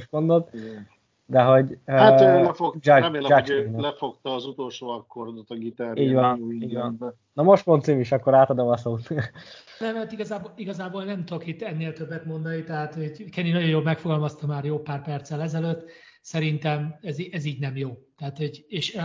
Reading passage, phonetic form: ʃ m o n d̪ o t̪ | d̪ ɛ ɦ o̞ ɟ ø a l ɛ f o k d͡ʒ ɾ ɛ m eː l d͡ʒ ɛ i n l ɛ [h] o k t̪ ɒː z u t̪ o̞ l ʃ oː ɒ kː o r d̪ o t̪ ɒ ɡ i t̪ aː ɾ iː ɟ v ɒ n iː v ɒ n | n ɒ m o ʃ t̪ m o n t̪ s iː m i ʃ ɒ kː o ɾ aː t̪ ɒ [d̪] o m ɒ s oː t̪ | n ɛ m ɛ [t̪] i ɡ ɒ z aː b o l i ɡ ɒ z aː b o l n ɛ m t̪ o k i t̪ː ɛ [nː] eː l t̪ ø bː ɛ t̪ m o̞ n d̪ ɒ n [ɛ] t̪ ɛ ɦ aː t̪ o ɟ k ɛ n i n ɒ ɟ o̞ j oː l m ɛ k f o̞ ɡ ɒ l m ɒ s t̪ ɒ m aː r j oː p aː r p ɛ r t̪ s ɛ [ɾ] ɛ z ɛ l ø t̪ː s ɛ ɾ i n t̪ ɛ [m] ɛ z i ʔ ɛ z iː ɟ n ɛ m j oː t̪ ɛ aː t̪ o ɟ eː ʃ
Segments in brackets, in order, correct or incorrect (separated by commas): incorrect, correct, correct, correct, incorrect, incorrect, correct